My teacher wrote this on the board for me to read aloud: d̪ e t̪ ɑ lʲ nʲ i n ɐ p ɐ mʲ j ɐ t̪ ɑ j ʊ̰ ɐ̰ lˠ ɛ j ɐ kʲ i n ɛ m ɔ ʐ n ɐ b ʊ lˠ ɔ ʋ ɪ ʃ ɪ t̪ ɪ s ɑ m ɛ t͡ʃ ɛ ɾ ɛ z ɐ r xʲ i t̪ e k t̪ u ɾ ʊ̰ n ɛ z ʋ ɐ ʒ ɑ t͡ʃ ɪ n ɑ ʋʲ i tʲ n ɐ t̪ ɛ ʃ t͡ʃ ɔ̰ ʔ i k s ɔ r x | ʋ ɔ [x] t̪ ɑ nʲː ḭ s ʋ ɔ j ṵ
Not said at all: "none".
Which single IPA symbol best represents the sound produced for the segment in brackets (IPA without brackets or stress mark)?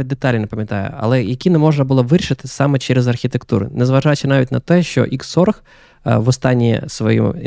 s